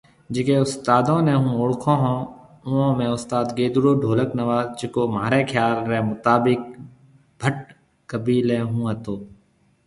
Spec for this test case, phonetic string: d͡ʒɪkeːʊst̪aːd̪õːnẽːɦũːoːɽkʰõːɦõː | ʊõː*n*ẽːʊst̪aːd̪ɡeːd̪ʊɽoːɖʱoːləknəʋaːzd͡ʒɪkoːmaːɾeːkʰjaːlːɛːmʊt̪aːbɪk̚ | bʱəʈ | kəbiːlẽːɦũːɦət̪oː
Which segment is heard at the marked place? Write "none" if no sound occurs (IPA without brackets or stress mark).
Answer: m